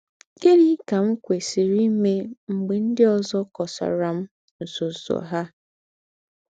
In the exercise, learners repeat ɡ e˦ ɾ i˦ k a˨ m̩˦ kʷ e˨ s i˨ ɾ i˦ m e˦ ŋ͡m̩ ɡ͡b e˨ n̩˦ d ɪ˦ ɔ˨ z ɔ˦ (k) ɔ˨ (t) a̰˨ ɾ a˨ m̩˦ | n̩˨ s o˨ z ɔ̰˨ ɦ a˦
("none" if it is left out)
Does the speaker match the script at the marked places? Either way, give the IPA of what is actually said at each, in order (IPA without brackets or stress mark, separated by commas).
k, s